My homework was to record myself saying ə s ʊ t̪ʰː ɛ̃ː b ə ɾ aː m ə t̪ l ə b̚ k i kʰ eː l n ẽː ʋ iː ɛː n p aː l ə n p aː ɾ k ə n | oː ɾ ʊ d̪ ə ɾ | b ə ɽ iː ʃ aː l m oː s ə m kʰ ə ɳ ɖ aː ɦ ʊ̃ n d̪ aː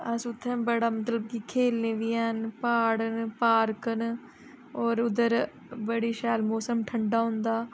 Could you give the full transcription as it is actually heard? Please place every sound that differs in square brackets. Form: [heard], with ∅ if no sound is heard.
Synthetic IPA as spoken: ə s ʊ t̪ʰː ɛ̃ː b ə [ɽ] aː m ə t̪ l ə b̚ k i kʰ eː l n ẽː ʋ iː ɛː n p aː [ɽ] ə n p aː ɾ k ə n | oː ɾ ʊ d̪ ə ɾ | b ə ɽ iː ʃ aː l m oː s ə m [ʈʰ] ə ɳ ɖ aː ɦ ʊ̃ n d̪ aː